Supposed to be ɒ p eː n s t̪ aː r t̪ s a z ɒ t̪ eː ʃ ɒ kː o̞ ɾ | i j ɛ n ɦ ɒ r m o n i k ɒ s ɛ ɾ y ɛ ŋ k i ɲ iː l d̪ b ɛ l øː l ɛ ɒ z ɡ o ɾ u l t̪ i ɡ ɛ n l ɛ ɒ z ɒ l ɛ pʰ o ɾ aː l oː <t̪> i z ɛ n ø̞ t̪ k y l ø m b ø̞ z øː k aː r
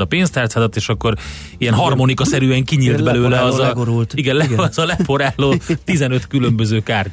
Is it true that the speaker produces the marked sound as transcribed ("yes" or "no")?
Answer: yes